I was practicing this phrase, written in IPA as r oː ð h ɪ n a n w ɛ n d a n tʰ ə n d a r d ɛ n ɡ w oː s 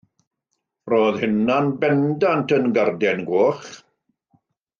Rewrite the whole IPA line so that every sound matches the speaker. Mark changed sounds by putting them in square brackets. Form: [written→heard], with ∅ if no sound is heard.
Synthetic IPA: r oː ð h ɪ n a n [w→b] ɛ n d a n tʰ ə n [d→ɡ] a r d ɛ n ɡ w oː [s→χ]